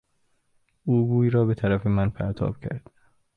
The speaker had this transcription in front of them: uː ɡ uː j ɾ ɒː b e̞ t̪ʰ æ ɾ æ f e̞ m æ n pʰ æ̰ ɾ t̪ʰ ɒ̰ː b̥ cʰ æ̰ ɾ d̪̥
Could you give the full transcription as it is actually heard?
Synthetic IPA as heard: uː ɡ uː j ɾ ɒː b e̞ t̪ʰ æ ɾ æ f e̞ m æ n pʰ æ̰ ɾ t̪ʰ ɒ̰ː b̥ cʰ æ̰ ɾ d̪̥